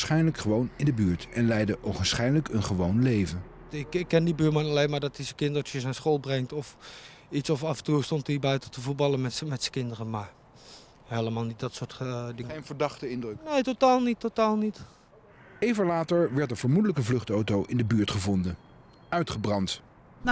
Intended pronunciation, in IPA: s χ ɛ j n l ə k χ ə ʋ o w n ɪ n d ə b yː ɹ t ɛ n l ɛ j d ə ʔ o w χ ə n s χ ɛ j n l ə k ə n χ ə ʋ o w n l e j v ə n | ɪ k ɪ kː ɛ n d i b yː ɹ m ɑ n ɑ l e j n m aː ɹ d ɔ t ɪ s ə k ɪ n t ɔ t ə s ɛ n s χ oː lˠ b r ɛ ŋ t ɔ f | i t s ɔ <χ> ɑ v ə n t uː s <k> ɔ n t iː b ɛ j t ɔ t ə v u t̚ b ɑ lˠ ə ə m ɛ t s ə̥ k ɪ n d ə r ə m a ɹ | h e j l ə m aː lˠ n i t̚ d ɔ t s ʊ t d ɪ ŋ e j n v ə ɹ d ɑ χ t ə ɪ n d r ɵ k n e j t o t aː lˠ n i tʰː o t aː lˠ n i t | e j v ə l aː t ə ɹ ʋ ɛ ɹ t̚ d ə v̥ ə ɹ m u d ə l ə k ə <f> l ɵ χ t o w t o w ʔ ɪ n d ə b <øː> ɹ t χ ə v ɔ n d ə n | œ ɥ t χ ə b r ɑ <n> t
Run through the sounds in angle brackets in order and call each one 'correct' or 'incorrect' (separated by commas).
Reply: incorrect, incorrect, incorrect, incorrect, correct